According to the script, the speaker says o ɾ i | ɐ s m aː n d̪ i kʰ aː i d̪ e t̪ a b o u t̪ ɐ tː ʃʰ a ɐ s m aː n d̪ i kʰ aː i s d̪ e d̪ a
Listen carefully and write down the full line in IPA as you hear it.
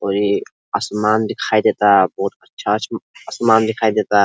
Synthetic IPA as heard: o ɾ i | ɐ s m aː n d̪ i kʰ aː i d̪ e t̪ a b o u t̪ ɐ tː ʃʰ a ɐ s m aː n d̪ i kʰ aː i d̪ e t̪ a